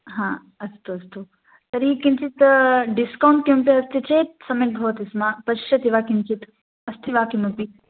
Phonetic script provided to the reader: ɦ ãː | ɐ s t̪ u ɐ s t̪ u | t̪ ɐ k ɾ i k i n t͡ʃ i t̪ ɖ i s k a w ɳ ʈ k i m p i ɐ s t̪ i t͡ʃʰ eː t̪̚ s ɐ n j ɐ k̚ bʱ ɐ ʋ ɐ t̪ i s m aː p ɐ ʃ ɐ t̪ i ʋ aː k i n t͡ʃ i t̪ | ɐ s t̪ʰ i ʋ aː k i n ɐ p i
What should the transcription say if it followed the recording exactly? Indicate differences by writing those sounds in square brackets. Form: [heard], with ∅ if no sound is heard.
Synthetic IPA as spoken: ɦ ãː | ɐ s t̪ u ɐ s t̪ u | t̪ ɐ [∅] ɾ i k i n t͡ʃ i t̪ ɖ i s k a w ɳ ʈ k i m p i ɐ s t̪ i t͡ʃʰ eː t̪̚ s ɐ [m] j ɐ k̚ bʱ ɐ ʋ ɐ t̪ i s m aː p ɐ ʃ ɐ t̪ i ʋ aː k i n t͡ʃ i t̪ | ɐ s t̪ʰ i ʋ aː k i [m] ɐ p i